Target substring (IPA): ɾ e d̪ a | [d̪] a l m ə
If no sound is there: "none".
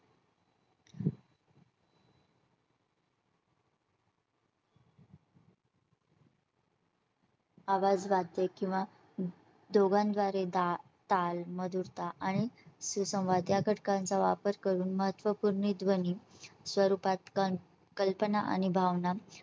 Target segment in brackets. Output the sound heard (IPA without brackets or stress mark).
t̪